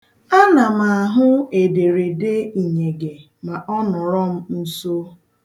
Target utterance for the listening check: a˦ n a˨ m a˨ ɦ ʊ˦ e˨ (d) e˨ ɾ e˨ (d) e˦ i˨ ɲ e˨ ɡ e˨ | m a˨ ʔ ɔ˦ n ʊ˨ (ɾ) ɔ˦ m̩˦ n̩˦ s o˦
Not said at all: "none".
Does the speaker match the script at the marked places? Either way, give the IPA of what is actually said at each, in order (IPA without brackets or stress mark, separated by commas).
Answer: d, d, ɾ